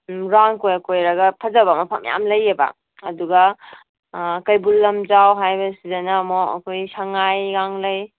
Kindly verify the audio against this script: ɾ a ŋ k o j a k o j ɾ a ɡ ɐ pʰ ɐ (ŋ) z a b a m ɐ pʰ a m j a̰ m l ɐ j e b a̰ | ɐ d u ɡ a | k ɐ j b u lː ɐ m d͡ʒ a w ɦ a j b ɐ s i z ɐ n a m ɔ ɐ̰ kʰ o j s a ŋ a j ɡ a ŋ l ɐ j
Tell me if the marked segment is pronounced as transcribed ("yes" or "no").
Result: no